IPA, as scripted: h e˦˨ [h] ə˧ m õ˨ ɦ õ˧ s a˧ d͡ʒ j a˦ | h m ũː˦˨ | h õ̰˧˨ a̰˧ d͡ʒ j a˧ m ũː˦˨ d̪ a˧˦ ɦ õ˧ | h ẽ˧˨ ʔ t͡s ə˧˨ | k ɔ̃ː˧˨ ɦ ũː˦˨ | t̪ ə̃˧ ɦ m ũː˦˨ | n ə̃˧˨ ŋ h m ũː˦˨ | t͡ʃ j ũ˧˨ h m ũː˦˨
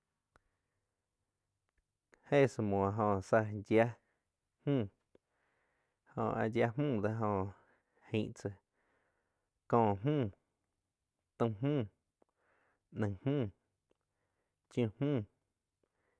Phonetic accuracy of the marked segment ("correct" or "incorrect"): incorrect